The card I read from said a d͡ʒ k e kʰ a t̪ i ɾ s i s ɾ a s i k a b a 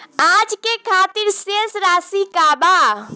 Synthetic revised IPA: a d͡ʒ k e kʰ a t̪ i ɾ s e s ɾ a s i k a b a